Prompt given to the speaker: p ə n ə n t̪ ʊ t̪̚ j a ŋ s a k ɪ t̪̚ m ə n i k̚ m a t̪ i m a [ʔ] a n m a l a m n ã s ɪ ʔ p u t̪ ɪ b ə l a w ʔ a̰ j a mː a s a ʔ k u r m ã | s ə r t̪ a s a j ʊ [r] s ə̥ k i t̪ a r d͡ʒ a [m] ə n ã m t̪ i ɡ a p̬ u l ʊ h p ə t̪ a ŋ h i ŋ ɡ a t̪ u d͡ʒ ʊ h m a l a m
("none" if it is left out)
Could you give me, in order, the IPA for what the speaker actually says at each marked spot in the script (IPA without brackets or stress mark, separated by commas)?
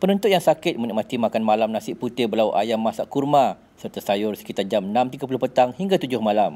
k, r, m